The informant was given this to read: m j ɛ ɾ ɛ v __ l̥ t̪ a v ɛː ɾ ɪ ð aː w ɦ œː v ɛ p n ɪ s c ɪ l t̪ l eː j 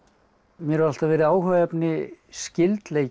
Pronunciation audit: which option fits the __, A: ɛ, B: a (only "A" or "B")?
B